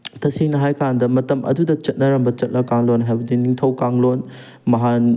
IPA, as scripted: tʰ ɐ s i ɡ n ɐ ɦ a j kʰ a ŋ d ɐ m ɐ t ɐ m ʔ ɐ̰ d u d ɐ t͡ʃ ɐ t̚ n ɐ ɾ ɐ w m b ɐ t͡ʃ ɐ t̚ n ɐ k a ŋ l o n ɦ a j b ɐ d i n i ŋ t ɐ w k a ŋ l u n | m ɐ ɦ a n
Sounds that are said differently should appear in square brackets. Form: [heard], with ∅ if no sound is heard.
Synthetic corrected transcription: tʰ ɐ s i [ŋ] n ɐ ɦ a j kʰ a [n] d ɐ m ɐ t ɐ m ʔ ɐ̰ d u d ɐ t͡ʃ ɐ t̚ n ɐ ɾ ɐ [∅] m b ɐ t͡ʃ ɐ t̚ n ɐ k a ŋ l o n ɦ a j b ɐ d i n i ŋ [tʰ] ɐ w k a ŋ l [o] n | m ɐ ɦ a n